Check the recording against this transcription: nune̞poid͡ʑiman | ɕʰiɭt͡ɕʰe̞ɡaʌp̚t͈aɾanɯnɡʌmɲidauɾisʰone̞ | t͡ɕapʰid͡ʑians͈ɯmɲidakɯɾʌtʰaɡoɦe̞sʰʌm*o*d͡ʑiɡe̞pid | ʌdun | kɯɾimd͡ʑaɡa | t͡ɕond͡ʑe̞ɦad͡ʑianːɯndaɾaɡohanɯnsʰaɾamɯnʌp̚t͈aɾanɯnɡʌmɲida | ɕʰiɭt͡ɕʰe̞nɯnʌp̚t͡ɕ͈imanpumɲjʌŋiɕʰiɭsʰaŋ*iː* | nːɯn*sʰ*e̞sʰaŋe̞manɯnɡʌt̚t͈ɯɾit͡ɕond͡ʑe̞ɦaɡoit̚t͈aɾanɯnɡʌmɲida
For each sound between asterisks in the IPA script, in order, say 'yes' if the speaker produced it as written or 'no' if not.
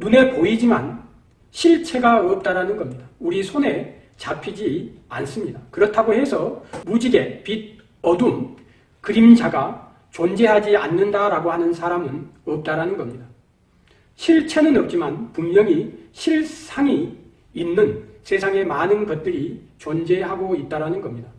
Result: no, yes, yes

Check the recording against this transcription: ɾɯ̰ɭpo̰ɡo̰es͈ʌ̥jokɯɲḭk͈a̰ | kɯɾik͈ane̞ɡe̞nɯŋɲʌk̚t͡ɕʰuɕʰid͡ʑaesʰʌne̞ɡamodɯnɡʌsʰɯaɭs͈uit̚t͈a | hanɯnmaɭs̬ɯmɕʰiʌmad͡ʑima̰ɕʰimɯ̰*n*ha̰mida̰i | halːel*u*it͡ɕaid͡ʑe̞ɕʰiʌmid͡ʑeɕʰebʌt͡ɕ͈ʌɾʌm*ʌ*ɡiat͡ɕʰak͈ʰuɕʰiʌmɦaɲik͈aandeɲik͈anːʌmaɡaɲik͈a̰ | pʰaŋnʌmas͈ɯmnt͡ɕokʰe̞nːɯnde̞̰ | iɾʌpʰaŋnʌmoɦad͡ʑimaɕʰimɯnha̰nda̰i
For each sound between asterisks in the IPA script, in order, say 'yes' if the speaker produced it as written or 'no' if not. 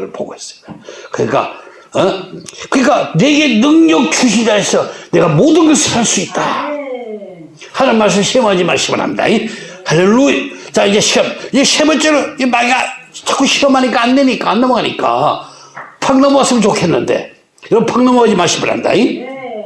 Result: yes, yes, no

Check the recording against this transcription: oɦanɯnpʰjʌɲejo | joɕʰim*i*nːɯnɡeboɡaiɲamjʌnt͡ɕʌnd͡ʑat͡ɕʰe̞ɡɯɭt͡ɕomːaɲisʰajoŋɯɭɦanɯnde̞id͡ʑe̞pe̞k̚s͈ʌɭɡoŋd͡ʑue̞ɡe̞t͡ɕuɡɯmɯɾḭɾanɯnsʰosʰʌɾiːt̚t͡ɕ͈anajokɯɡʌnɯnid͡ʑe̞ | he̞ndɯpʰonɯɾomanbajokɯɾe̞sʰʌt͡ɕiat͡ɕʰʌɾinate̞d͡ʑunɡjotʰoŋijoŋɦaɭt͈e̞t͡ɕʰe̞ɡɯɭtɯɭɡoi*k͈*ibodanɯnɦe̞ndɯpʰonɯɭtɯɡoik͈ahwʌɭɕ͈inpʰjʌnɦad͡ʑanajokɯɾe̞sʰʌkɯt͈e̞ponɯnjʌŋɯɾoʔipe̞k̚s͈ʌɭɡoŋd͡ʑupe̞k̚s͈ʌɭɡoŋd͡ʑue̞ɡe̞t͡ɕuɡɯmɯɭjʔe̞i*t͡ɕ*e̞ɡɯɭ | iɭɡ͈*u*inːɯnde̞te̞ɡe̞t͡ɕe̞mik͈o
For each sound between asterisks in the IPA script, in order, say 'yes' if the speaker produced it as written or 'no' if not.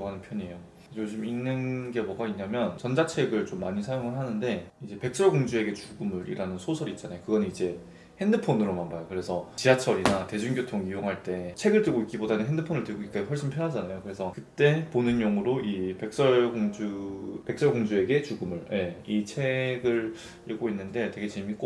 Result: yes, yes, no, no

